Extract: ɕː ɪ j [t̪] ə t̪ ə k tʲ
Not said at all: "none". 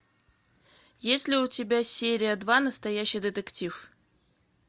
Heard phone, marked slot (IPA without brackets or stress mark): d̪